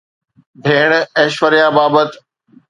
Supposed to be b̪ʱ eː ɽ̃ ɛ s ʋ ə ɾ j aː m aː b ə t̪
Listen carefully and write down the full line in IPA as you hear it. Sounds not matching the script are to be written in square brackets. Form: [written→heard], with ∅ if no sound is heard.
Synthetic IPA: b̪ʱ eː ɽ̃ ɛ [s→ʃ] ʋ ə ɾ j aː [m→b] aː b ə t̪